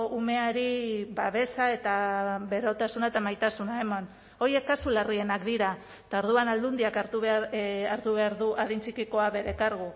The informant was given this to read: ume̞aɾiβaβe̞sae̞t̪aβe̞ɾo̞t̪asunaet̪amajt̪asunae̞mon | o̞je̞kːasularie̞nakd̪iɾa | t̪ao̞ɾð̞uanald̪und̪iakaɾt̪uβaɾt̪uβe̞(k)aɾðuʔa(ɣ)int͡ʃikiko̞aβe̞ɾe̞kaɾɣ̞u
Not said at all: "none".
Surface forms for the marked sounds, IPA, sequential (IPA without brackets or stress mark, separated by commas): none, ð